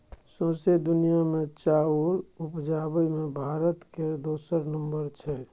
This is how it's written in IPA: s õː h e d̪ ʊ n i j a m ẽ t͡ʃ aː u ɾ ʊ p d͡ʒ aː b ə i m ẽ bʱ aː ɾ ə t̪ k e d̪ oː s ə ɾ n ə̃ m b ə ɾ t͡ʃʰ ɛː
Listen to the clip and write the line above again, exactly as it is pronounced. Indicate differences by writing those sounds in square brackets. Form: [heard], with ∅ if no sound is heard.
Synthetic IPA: s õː [s] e d̪ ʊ n i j a m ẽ t͡ʃ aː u ɾ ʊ p d͡ʒ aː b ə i m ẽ bʱ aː ɾ ə t̪ k e d̪ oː s ə ɾ n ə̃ m b ə ɾ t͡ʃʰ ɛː